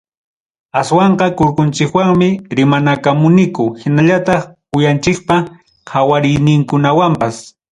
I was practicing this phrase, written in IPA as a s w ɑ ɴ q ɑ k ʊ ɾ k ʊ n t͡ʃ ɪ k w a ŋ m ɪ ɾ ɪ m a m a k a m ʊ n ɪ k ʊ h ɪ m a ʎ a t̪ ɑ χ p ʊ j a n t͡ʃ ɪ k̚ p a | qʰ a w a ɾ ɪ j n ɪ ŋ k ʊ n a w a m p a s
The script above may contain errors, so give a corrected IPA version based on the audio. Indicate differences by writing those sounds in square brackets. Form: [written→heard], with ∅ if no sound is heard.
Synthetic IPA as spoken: a s w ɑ ɴ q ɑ k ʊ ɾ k ʊ n t͡ʃ ɪ k w a ŋ m ɪ ɾ ɪ m a [m→n] a k a m ʊ n ɪ k ʊ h ɪ [m→n] a ʎ a t̪ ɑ χ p ʊ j a n t͡ʃ ɪ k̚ p a | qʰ a w a ɾ ɪ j n ɪ ŋ k ʊ n a w a m p a s